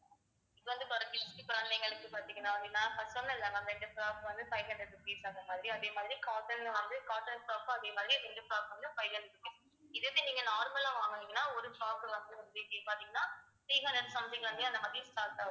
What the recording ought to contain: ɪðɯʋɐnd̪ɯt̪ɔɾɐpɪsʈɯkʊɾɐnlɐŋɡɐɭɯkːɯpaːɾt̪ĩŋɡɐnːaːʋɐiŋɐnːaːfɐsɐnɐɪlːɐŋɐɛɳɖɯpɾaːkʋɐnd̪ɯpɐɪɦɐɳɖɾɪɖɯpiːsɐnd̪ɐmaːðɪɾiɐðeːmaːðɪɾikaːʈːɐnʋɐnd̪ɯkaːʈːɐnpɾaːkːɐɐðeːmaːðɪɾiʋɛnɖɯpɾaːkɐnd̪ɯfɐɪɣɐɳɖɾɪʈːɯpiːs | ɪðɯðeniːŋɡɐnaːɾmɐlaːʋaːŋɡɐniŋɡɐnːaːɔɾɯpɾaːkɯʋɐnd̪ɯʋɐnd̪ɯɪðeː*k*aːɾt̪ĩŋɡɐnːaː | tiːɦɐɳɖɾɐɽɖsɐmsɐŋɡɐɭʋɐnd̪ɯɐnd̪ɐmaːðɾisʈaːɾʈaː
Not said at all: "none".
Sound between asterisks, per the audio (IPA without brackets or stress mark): p